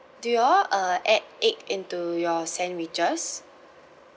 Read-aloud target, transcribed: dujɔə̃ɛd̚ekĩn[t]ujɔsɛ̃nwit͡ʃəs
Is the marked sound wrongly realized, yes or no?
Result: no